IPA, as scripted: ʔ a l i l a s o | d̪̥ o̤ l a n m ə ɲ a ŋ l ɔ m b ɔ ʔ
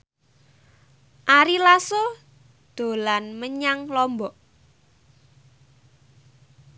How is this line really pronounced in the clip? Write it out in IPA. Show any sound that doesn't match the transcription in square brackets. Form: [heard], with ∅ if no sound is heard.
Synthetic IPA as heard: ʔ a [ɾ] i l a s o | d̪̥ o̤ l a n m ə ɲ a ŋ l ɔ m b ɔ ʔ